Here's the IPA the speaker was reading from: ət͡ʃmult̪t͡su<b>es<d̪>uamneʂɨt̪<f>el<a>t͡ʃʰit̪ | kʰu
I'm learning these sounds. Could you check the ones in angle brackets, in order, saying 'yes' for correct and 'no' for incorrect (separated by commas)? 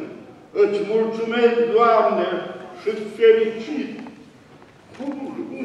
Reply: no, yes, yes, no